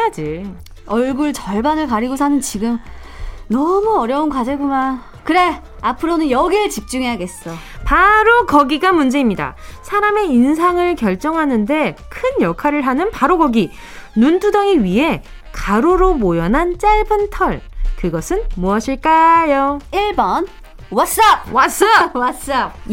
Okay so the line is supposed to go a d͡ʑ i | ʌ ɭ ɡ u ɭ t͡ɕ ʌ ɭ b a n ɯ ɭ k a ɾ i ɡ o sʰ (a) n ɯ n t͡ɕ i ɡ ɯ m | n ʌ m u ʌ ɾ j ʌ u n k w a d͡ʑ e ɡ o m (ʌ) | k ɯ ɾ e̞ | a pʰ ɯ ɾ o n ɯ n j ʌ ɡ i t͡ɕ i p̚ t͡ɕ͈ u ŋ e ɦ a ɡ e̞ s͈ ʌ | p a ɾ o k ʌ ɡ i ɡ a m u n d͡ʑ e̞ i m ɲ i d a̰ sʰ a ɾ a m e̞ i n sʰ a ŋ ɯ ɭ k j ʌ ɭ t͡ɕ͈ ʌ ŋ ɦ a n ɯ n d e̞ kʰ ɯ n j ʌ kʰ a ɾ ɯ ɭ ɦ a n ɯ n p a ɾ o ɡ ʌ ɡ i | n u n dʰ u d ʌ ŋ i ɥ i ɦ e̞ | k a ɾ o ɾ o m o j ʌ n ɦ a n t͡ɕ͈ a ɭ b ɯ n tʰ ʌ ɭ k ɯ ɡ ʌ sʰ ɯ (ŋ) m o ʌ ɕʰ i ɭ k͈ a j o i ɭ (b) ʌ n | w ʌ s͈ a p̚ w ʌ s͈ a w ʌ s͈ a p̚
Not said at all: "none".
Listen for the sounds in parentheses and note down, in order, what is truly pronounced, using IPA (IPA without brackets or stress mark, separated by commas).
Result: a, a, n, b